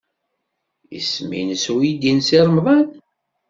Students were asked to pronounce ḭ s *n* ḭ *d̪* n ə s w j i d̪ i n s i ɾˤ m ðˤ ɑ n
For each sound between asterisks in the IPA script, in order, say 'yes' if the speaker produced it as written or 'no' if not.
no, no

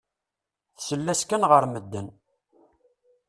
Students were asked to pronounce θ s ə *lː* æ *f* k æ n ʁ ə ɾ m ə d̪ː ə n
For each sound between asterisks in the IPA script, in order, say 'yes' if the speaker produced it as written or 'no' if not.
yes, no

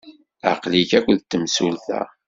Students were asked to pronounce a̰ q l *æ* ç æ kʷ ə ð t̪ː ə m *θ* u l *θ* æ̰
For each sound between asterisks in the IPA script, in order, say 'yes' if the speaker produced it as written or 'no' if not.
no, no, yes

